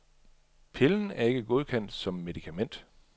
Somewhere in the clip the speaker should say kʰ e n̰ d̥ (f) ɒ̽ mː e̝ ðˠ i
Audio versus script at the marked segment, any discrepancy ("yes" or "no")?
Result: yes